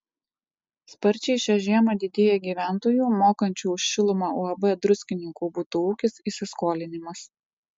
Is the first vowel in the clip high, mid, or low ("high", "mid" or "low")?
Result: low